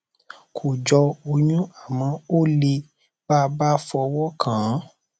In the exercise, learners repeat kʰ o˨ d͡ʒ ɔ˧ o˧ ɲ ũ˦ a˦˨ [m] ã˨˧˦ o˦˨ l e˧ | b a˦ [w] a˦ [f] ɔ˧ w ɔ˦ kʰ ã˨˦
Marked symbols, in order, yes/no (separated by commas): yes, no, yes